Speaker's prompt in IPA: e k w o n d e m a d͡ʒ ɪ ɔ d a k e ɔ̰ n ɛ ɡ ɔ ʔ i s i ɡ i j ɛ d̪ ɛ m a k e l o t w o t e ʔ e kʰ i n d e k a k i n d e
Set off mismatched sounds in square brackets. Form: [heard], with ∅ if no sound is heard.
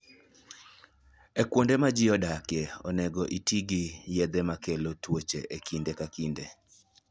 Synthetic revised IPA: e k w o n d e m a d͡ʒ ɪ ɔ d a k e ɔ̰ n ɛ ɡ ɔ ʔ i [t] i ɡ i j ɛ d̪ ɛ m a k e l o t w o [t͡ʃ] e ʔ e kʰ i n d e k a k i n d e